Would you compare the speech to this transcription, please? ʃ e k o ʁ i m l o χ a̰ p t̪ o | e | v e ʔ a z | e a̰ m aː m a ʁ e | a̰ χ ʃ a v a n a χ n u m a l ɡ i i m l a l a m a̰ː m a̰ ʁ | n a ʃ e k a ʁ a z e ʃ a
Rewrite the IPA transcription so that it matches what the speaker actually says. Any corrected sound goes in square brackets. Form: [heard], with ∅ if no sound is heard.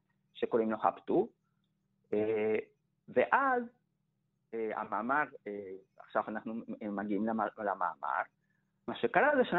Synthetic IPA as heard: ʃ e k o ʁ i m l o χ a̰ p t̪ [u] | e | v e ʔ a z | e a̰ m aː m a ʁ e | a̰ χ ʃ a v a n a χ n u m a [∅] ɡ i i m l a l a m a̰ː m a̰ ʁ | [m] a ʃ e k a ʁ a z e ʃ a